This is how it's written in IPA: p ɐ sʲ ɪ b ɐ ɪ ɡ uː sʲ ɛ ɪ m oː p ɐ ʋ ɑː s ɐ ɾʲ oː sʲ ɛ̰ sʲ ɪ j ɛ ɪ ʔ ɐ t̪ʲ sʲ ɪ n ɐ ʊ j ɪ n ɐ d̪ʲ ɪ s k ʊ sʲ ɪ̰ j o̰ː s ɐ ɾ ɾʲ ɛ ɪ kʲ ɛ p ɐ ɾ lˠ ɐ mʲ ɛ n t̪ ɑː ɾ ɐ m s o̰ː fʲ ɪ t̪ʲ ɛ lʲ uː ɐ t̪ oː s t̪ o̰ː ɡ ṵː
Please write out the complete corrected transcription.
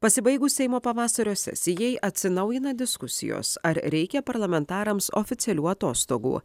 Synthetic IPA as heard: p ɐ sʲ ɪ b ɐ ɪ ɡ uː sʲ ɛ ɪ m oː p ɐ ʋ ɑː s ɐ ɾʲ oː sʲ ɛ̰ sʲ ɪ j ɛ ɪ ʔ ɐ t̪ʲ sʲ ɪ n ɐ ʊ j ɪ n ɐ d̪ʲ ɪ s k ʊ sʲ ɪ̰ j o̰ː s ɐ ɾ ɾʲ ɛ ɪ kʲ ɛ p ɐ ɾ lˠ ɐ mʲ ɛ n t̪ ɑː ɾ ɐ m s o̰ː fʲ ɪ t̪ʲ ɛ lʲ uː ɐ t̪ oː s t̪ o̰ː ɡ ṵː